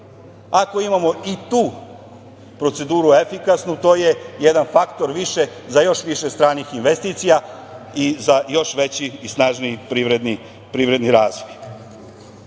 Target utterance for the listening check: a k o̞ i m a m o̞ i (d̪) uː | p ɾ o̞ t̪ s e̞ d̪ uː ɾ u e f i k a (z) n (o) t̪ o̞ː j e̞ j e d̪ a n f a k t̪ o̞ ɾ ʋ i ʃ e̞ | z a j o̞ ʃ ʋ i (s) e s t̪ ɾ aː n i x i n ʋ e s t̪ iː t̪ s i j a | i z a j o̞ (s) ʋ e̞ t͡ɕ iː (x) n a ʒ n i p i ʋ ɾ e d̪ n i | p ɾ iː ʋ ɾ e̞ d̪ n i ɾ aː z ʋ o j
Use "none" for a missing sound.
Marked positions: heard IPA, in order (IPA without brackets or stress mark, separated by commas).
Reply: t̪, s, u, ʃ, ʃ, s